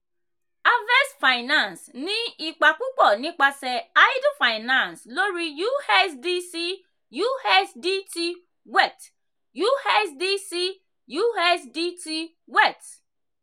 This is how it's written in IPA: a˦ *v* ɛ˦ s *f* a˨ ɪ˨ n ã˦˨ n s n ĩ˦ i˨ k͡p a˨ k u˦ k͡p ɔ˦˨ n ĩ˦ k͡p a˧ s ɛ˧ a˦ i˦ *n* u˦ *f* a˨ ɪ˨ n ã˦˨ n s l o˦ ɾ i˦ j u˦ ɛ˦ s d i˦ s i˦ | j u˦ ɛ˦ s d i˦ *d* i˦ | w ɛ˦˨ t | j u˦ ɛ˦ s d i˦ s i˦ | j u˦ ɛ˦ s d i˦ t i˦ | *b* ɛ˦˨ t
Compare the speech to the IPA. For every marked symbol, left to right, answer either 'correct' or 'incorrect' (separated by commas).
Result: correct, correct, incorrect, correct, incorrect, incorrect